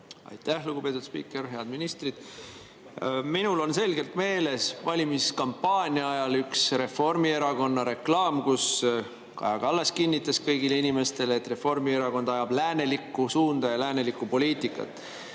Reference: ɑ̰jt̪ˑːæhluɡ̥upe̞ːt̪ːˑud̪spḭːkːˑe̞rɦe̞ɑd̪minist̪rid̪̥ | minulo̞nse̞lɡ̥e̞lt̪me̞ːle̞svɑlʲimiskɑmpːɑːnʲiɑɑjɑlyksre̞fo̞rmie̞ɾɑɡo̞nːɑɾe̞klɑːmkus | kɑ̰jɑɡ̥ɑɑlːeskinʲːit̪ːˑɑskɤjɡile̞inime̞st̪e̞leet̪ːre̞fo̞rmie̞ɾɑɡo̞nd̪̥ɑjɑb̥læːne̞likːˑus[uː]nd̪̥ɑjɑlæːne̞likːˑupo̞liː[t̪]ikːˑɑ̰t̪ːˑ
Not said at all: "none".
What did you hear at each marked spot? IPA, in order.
uː, t̪

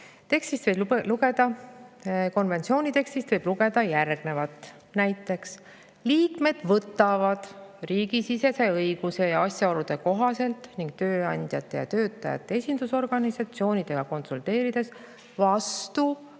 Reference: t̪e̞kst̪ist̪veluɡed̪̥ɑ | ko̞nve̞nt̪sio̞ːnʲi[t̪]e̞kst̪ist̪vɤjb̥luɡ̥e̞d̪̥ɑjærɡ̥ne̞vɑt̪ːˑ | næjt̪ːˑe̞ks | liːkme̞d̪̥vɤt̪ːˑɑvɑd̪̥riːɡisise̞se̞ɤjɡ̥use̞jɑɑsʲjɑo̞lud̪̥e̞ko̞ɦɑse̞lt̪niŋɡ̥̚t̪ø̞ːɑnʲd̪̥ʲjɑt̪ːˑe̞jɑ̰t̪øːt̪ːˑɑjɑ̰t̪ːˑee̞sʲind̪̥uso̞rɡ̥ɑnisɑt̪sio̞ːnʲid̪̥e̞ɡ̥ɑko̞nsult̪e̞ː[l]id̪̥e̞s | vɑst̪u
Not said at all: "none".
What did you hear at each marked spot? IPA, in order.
t̪, ɾ

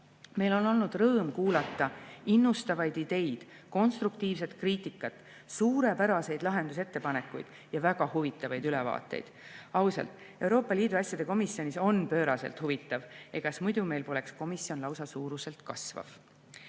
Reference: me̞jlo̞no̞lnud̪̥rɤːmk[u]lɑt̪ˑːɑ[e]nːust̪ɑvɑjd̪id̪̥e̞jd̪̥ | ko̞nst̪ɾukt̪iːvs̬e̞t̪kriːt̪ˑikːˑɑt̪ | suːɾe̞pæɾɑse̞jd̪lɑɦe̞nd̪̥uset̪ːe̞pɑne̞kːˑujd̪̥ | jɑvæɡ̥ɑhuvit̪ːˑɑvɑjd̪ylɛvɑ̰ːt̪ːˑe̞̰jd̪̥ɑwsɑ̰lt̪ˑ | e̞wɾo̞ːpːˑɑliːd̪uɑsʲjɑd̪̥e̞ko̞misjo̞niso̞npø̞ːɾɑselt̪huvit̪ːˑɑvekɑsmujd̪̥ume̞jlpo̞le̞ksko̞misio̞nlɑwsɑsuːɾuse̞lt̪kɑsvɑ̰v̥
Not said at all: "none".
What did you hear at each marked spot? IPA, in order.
uː, i

